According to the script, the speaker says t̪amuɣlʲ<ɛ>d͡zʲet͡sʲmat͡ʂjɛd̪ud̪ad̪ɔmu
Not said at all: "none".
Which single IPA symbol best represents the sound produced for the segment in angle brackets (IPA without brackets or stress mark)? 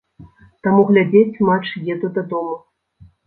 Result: a